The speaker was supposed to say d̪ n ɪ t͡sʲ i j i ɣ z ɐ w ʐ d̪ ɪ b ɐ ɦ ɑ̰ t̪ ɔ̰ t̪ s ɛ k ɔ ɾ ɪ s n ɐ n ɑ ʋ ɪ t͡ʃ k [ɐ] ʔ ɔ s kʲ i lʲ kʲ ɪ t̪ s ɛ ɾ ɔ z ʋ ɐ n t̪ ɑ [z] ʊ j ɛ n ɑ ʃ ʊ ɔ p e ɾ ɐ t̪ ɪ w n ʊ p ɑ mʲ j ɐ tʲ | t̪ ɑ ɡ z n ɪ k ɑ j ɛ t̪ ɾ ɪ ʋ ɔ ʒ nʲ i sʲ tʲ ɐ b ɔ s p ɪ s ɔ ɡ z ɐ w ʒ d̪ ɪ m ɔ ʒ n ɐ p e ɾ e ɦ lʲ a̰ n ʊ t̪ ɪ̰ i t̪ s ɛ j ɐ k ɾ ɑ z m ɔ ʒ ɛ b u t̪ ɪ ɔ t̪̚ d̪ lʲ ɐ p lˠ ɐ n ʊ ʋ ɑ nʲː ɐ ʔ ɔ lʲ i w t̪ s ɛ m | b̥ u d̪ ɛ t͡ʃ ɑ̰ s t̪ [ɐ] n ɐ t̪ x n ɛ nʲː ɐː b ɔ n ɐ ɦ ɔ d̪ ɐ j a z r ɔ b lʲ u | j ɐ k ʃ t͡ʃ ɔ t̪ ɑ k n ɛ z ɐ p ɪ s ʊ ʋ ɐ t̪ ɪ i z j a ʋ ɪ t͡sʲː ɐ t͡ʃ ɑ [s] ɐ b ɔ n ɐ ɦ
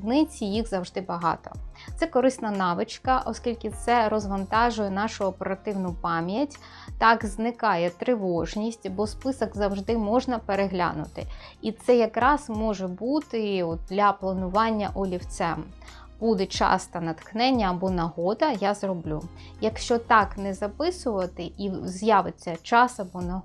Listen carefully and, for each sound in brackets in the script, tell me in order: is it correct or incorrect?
correct, incorrect: ʒ, correct, correct

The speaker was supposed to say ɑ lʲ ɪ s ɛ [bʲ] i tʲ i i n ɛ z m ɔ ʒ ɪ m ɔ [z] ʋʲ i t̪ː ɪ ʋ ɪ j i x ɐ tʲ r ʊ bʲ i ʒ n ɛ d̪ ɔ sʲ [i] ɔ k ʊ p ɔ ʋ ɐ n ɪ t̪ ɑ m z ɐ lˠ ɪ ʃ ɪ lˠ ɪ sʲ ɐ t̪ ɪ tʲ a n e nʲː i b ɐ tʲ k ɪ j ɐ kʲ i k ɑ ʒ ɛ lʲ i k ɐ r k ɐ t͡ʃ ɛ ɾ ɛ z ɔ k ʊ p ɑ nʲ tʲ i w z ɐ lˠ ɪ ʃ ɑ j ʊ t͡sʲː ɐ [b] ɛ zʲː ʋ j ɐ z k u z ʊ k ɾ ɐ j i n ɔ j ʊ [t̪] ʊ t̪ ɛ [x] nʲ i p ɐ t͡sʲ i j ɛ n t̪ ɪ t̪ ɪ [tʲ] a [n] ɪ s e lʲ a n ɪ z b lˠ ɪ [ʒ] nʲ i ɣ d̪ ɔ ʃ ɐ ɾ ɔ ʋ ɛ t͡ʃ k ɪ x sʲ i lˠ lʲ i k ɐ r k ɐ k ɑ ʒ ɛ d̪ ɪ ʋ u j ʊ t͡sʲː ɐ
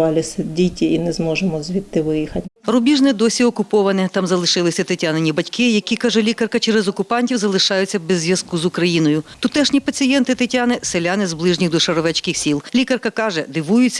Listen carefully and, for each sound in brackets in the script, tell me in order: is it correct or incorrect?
incorrect: dʲ, correct, correct, correct, correct, incorrect: ʃ, correct, correct, correct

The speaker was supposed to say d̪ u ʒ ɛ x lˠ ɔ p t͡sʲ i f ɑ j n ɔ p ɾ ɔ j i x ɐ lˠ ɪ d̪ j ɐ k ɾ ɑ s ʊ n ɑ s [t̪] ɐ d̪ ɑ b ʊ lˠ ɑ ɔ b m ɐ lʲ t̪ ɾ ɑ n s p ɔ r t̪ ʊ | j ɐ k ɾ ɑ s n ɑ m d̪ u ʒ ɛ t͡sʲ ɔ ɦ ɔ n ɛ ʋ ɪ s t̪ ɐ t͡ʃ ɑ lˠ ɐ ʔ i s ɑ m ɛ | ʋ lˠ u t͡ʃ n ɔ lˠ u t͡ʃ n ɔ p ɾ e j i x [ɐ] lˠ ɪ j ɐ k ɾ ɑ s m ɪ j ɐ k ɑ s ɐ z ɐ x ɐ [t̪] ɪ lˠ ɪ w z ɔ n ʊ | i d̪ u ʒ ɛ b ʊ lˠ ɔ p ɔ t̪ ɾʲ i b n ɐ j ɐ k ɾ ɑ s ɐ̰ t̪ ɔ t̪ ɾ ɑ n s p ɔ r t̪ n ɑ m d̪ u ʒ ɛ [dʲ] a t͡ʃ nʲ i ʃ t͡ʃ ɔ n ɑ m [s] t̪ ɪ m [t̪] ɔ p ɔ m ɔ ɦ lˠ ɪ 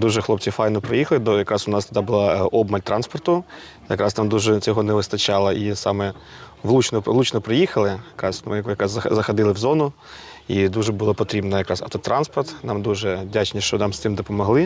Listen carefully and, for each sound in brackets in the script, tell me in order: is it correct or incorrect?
correct, correct, incorrect: d̪, correct, correct, incorrect: d̪

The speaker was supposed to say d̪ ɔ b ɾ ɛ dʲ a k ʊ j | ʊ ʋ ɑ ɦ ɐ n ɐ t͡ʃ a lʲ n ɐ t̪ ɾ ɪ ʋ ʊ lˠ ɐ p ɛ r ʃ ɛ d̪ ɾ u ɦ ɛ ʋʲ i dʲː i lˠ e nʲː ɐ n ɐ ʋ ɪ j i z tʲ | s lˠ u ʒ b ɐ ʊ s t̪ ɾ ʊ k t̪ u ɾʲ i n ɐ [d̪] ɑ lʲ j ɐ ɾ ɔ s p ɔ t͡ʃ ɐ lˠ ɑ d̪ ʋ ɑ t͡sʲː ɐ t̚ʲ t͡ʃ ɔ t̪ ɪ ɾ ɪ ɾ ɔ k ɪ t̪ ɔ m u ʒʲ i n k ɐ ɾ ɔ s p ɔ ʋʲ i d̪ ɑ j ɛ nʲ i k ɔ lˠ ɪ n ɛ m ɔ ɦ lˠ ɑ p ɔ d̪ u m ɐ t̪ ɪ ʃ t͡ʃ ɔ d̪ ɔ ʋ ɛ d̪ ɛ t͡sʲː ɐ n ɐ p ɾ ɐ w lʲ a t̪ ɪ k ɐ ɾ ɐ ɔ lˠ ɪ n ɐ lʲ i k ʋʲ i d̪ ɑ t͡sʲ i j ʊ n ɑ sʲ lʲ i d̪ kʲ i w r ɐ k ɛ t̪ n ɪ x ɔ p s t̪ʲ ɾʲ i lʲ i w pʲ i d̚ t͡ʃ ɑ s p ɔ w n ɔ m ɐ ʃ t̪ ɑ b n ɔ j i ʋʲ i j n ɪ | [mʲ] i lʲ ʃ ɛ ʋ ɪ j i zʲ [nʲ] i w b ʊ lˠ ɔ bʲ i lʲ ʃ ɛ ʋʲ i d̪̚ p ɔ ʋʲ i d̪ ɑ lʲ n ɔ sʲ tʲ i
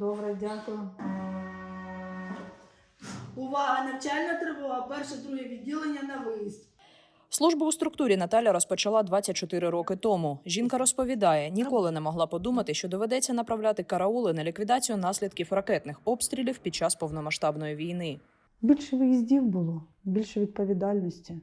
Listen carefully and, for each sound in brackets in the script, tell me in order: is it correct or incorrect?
incorrect: t̪, incorrect: bʲ, incorrect: dʲ

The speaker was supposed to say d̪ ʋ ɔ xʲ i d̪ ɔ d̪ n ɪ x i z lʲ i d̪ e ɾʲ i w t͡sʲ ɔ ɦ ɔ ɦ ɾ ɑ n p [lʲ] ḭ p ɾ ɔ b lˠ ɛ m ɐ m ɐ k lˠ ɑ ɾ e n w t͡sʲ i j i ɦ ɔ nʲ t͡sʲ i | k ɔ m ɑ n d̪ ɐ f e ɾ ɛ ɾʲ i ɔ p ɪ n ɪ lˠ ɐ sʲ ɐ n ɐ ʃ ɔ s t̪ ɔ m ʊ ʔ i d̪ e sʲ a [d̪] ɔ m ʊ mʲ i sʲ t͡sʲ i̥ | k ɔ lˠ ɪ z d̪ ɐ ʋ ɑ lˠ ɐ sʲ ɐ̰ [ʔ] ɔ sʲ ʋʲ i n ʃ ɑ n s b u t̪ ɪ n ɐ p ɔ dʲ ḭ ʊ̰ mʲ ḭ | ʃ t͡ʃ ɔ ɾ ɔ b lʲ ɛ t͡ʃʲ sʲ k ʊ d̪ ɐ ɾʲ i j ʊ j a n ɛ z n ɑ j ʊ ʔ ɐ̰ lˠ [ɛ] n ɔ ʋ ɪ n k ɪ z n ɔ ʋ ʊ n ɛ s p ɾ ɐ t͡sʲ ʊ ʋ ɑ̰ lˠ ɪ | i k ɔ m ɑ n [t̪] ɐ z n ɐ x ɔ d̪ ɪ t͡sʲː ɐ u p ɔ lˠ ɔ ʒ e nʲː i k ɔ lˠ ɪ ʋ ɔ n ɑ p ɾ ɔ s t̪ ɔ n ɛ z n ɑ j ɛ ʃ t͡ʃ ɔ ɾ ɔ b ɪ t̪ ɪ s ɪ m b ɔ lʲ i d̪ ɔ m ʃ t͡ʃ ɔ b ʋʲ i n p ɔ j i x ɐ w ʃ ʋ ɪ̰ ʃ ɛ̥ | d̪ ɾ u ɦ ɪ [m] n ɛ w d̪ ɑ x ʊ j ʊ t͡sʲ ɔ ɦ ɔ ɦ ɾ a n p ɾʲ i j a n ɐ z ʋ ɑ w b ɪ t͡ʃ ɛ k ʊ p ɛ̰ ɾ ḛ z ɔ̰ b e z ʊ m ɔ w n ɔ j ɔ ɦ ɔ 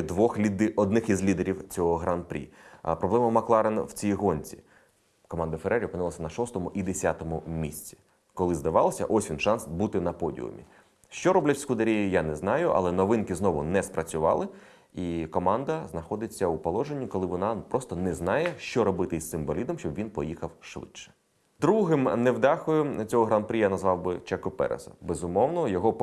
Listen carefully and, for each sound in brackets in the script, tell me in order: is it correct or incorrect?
incorrect: ɾʲ, incorrect: t̪, correct, correct, incorrect: d̪, correct

